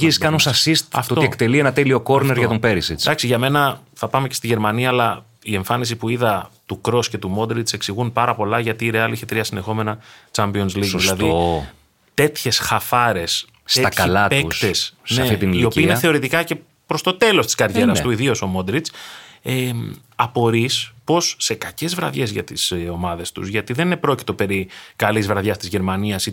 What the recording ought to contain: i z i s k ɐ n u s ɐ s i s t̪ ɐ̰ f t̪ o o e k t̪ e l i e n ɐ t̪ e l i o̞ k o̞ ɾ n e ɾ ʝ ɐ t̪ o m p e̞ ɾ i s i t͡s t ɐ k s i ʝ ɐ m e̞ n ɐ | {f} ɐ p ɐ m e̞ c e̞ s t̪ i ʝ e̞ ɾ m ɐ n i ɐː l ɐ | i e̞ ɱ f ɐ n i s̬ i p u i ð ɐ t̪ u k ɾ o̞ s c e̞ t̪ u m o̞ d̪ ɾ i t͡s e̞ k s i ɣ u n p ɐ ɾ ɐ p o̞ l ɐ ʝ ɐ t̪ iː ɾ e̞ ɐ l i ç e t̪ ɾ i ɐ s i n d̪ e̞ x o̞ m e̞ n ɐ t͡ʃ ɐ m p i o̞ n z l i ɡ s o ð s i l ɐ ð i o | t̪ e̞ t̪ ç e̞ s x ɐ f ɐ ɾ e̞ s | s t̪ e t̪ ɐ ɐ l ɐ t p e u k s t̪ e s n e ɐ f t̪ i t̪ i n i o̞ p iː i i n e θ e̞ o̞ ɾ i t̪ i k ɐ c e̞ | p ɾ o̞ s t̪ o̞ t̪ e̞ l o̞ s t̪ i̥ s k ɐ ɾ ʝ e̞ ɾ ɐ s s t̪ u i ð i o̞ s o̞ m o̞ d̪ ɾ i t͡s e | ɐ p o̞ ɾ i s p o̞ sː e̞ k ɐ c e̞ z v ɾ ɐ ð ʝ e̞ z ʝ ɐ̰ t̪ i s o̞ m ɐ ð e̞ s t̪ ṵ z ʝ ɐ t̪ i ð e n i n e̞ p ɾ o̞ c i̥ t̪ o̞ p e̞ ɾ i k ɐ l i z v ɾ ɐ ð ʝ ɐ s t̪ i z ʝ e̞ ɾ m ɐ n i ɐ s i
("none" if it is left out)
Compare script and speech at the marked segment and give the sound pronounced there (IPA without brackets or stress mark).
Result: θ